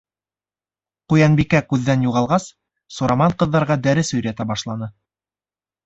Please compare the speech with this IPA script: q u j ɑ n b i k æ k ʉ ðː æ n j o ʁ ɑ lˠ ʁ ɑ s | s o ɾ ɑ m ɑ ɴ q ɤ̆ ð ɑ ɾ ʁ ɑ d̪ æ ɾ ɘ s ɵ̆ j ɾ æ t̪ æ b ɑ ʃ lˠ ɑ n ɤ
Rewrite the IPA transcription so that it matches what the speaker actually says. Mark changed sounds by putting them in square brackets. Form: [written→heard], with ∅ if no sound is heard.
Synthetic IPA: q u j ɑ n b i k æ k ʉ ðː æ n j [o→u] ʁ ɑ lˠ ʁ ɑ s | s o ɾ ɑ m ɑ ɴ q ɤ̆ [ð→ðː] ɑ ɾ ʁ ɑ d̪ æ ɾ ɘ s ɵ̆ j ɾ æ t̪ æ b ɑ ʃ lˠ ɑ n ɤ